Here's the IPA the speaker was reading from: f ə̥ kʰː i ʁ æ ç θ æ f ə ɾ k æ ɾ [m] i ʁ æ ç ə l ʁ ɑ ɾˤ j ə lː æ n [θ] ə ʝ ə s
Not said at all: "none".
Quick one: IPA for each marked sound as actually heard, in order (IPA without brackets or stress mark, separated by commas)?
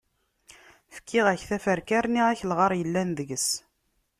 n, ð